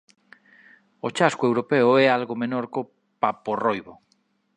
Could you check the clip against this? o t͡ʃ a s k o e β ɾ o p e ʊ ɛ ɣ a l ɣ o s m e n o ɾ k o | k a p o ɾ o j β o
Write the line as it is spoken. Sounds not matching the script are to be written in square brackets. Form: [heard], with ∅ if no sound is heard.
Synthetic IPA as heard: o t͡ʃ a s k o e [w] ɾ o p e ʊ ɛ [∅] a l ɣ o [∅] m e n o ɾ k o | [p] a p o [r] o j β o